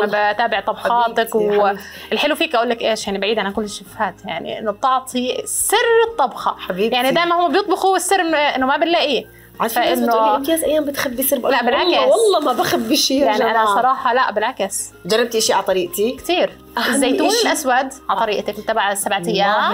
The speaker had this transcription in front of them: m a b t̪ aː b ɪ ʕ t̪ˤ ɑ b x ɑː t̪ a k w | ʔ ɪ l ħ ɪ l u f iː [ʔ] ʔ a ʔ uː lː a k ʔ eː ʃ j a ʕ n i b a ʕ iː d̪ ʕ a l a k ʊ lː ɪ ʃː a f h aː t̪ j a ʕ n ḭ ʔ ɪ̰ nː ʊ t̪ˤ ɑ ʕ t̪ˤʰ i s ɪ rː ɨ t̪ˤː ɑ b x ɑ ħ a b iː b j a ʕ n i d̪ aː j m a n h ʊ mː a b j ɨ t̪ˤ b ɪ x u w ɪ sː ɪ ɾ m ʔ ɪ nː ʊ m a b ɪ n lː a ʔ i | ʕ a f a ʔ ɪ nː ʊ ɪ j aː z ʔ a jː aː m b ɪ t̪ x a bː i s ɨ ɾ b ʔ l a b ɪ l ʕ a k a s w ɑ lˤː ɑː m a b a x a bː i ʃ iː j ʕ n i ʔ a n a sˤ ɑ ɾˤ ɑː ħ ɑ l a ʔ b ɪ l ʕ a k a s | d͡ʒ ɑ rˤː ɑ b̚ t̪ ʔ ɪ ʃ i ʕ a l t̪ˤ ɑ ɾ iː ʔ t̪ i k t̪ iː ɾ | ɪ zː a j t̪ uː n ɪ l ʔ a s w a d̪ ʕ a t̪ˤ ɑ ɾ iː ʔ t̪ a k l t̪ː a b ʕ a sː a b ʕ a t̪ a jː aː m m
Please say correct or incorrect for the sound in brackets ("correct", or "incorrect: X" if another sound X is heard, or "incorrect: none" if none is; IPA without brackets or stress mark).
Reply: incorrect: k